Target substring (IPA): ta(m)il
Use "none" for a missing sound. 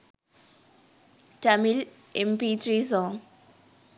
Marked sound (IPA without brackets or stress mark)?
m